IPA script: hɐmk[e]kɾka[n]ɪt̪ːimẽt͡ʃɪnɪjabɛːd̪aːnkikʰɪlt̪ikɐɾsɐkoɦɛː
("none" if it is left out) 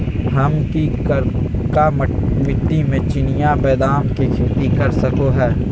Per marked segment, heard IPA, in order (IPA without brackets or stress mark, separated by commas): i, m